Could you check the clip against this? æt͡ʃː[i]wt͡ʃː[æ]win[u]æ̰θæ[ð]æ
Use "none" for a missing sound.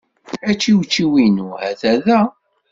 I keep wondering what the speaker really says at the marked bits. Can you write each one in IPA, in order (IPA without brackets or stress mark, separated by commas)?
i, i, u, ð